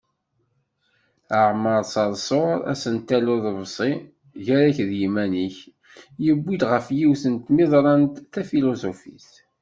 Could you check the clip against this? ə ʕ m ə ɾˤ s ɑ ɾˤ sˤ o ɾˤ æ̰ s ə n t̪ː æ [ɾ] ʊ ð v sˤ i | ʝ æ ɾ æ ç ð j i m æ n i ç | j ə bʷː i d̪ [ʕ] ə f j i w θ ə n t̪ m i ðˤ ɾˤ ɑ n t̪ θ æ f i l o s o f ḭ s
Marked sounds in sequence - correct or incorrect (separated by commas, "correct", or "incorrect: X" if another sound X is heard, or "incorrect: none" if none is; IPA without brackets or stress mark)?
incorrect: l, incorrect: ʁ